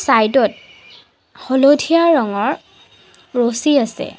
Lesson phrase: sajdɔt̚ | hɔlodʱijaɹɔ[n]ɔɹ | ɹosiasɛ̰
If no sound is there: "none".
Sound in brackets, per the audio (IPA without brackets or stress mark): ŋ